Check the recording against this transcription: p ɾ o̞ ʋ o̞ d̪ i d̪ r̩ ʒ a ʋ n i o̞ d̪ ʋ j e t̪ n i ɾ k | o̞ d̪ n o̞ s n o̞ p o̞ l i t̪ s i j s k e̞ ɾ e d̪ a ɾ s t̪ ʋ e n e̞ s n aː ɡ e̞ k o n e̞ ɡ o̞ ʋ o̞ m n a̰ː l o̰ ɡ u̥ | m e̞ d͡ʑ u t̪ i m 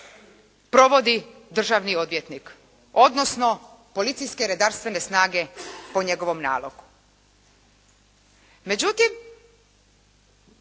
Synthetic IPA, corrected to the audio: p ɾ o̞ ʋ o̞ d̪ i d̪ r̩ ʒ a ʋ n i o̞ d̪ ʋ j e t̪ n i k | o̞ d̪ n o̞ s n o̞ p o̞ l i t̪ s i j s k e̞ ɾ e d̪ a ɾ s t̪ ʋ e n e̞ s n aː ɡ e̞ p o ɲ e̞ ɡ o̞ ʋ o̞ m n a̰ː l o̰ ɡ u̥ | m e̞ d͡ʑ u t̪ i m